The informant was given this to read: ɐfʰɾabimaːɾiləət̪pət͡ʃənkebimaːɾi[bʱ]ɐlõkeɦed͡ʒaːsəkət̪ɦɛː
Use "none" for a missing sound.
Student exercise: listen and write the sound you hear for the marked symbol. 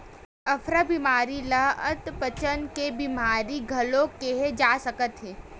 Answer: ɡʱ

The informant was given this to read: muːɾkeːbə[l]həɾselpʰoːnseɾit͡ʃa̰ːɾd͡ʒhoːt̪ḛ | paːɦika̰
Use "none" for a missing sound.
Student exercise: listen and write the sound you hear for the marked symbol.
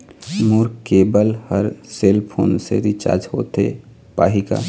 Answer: l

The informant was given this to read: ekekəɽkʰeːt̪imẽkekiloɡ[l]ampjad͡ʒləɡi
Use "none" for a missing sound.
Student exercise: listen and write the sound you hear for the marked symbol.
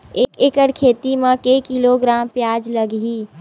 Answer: ɾ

